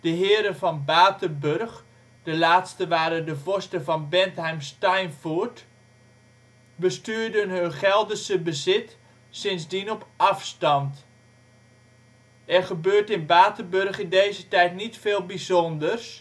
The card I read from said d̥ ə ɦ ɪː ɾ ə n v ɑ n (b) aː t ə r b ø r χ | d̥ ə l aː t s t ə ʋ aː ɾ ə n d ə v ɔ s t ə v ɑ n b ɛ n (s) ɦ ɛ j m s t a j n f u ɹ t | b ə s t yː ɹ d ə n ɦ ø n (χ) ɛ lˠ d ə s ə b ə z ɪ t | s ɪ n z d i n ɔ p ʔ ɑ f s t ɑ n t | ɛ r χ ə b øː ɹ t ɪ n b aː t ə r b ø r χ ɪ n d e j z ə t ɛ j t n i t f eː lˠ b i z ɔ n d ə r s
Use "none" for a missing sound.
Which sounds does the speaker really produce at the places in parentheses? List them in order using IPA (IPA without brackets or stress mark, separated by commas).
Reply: b, t, χ